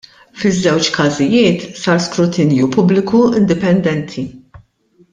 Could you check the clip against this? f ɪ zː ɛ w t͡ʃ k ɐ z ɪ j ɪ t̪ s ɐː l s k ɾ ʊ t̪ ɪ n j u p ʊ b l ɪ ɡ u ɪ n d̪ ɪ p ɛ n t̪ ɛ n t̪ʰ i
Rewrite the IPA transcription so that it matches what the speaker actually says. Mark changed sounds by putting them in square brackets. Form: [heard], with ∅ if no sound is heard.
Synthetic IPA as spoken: f ɪ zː ɛ w t͡ʃ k ɐ z ɪ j [ɪː] t̪ s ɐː [ɾ] s k ɾ ʊ t̪ ɪ n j u p ʊ b l ɪ [k] u ɪ n d̪ ɪ p ɛ n [d̪] ɛ n t̪ʰ i